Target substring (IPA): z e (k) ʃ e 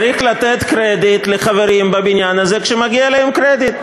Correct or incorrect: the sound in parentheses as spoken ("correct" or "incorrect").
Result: correct